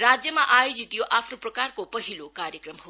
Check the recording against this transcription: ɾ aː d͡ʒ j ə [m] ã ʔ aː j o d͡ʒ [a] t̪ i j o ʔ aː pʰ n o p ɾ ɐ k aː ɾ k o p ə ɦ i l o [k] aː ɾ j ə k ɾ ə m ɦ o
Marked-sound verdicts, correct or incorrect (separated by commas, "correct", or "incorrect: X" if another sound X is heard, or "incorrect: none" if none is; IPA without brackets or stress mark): correct, incorrect: i, correct